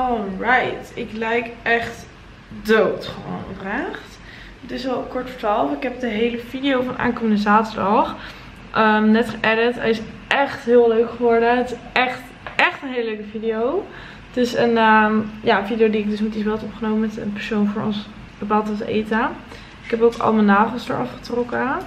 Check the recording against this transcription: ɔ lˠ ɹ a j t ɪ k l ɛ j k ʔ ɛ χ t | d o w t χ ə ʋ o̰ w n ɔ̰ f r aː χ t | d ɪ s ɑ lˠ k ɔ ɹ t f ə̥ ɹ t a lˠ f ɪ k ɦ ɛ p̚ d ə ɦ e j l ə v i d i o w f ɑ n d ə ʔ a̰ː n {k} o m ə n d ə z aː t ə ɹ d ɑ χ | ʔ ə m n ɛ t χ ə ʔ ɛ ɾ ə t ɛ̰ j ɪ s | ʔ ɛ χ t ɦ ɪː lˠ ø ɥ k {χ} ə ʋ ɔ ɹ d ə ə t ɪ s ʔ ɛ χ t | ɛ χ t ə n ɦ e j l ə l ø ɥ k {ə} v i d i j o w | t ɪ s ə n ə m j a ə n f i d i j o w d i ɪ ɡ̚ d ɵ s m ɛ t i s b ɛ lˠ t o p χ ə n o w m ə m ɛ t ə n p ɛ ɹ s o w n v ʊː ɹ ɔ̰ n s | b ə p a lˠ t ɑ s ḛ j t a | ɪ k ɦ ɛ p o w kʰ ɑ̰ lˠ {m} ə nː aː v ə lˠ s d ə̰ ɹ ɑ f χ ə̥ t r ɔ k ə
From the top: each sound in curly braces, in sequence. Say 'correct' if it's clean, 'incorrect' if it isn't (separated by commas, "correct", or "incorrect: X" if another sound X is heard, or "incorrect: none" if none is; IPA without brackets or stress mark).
correct, correct, correct, correct